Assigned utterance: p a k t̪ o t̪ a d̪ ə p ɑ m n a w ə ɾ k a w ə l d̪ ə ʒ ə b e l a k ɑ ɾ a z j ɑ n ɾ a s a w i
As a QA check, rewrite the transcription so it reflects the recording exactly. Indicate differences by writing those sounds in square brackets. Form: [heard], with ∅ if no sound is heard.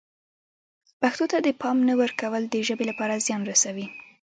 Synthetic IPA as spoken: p a [x] t̪ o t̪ a d̪ ə p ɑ m n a w ə ɾ k a w ə l d̪ ə ʒ ə b e l a [p] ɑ ɾ a z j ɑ n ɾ a s a w i